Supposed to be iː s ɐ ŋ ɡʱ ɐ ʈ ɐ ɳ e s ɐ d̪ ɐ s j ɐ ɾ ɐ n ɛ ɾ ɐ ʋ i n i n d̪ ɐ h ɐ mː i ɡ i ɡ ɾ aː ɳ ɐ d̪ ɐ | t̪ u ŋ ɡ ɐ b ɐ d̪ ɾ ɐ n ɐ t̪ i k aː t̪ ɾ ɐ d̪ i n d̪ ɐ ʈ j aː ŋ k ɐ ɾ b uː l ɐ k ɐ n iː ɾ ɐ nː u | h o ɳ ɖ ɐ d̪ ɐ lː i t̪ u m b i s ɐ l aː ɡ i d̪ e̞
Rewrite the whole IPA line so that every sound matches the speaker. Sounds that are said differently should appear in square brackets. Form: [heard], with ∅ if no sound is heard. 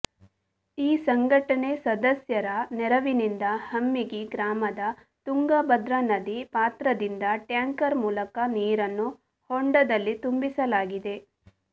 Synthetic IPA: iː s ɐ ŋ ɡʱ ɐ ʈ ɐ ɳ e s ɐ d̪ ɐ s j ɐ ɾ ɐ n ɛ ɾ ɐ ʋ i n i n d̪ ɐ h ɐ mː i ɡ i ɡ ɾ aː [m] ɐ d̪ ɐ | t̪ u ŋ ɡ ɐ b ɐ d̪ ɾ ɐ n ɐ [d̪] i [p] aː t̪ ɾ ɐ d̪ i n d̪ ɐ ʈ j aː ŋ k ɐ ɾ [m] uː l ɐ k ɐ n iː ɾ ɐ nː u | h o ɳ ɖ ɐ d̪ ɐ lː i t̪ u m b i s ɐ l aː ɡ i d̪ e̞

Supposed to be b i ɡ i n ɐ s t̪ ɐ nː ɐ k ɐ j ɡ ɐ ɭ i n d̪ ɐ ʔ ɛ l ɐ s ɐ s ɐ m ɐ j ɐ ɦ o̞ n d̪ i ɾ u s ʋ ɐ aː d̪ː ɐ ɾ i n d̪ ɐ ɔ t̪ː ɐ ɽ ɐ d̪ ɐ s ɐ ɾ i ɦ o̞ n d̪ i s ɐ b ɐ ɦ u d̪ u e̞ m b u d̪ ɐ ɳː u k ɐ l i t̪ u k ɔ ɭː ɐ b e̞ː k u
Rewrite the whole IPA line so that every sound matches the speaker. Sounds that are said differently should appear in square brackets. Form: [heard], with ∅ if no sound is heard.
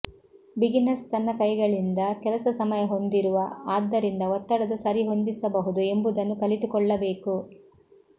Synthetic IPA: b i ɡ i n ɐ s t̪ ɐ nː ɐ k ɐ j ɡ ɐ ɭ i n d̪ ɐ [k] ɛ l ɐ s ɐ s ɐ m ɐ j ɐ ɦ o̞ n d̪ i ɾ u [∅] ʋ ɐ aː d̪ː ɐ ɾ i n d̪ ɐ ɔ t̪ː ɐ ɽ ɐ d̪ ɐ s ɐ ɾ i ɦ o̞ n d̪ i s ɐ b ɐ ɦ u d̪ u e̞ m b u d̪ ɐ [nː] u k ɐ l i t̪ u k ɔ ɭː ɐ b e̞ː k u

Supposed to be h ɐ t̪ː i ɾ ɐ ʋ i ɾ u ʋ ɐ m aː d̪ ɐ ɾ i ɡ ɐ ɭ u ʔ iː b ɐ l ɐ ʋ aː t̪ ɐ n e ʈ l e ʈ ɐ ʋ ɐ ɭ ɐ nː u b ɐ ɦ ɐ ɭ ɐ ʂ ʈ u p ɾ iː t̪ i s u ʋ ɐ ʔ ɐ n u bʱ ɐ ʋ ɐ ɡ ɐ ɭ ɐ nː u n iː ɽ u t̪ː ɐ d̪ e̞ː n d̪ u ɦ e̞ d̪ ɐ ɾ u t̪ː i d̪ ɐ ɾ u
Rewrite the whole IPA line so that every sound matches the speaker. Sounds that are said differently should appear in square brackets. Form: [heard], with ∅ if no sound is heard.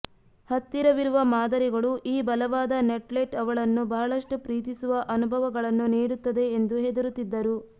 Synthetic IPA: h ɐ t̪ː i ɾ ɐ ʋ i ɾ u ʋ ɐ m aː d̪ ɐ ɾ i ɡ ɐ ɭ u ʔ iː b ɐ l ɐ ʋ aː [d̪] ɐ n e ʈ l e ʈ ɐ ʋ ɐ ɭ ɐ nː u b ɐ ɦ ɐ ɭ ɐ ʂ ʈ u p ɾ iː t̪ i s u ʋ ɐ ʔ ɐ n u bʱ ɐ ʋ ɐ ɡ ɐ ɭ ɐ nː u n iː ɽ u t̪ː ɐ d̪ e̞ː n d̪ u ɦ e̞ d̪ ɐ ɾ u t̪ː i [d̪ː] ɐ ɾ u

